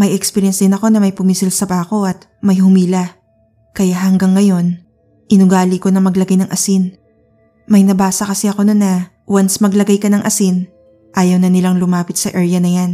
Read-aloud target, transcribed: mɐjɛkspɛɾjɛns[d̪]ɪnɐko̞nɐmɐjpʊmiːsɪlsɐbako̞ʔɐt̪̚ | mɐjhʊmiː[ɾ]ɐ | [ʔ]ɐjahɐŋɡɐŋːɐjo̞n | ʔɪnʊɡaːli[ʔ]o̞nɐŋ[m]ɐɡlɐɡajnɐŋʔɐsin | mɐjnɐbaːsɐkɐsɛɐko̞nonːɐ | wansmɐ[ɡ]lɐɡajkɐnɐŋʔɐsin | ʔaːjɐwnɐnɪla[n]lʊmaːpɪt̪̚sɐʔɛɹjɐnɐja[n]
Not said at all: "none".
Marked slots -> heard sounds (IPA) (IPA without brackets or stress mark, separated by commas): d̪, l, k, k, m, ɡ, ŋ, n